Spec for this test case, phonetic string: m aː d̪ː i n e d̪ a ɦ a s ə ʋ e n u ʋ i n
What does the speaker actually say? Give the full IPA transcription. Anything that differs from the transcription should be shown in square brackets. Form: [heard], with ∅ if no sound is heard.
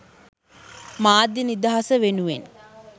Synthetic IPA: m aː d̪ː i n [i] d̪ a ɦ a s ə ʋ e n u ʋ [e] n